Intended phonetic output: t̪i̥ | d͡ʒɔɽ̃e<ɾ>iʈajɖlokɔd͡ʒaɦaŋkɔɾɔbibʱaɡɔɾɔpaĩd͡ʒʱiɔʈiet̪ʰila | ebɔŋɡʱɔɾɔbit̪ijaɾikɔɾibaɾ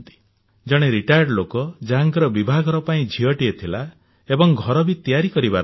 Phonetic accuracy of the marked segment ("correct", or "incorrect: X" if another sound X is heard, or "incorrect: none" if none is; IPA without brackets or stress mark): correct